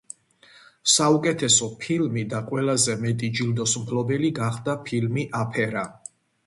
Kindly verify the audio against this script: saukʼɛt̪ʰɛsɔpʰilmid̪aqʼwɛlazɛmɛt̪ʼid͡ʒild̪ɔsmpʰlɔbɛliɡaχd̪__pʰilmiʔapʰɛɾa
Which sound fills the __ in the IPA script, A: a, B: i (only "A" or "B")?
A